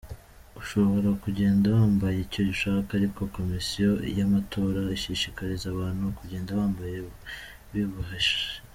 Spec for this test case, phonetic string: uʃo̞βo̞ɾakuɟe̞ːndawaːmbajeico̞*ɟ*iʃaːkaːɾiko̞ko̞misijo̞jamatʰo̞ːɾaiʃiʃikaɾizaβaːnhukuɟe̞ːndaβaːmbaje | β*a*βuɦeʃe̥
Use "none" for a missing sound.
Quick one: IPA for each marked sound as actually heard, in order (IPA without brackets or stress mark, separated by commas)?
ɟ, i